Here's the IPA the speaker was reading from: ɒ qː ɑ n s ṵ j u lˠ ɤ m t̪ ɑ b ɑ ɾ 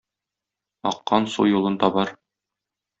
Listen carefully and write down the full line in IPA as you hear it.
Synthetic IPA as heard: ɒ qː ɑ n s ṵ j u lˠ ɤ n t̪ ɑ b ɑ ɾ